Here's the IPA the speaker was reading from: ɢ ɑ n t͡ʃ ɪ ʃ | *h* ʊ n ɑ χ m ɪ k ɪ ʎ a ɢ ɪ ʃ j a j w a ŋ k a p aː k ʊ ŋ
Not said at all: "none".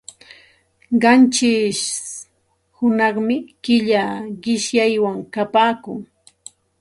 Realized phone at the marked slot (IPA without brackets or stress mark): h